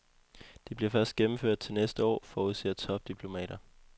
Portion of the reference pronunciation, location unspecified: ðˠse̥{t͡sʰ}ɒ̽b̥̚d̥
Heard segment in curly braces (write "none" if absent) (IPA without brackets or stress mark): t͡sʰ